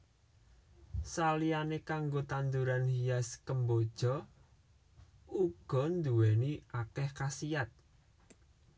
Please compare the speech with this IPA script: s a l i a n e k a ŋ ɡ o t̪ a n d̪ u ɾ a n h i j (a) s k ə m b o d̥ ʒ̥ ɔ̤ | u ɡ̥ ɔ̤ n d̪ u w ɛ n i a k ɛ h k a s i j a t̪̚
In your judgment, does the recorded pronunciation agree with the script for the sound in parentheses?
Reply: yes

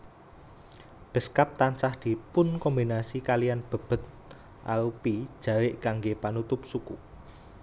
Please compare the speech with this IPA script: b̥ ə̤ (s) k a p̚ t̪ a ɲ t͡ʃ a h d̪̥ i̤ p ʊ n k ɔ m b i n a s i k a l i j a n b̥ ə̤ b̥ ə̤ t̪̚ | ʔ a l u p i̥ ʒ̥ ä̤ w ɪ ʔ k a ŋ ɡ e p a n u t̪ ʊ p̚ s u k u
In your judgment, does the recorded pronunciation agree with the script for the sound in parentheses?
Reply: yes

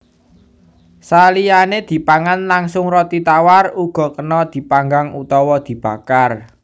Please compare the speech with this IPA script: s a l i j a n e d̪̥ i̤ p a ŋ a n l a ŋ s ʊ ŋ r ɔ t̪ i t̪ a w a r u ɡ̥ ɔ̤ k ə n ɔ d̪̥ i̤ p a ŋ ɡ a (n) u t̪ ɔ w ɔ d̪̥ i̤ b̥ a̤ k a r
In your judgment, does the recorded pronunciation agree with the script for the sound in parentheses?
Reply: no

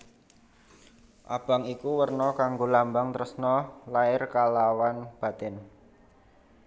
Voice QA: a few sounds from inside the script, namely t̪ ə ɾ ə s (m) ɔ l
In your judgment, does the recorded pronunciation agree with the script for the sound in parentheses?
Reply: no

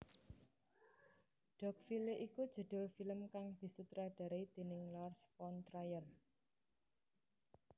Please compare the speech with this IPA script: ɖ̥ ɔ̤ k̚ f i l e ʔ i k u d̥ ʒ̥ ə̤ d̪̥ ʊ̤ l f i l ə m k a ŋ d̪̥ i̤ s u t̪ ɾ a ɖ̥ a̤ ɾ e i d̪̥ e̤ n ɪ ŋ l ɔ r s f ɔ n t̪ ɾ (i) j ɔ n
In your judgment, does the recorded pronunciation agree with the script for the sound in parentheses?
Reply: no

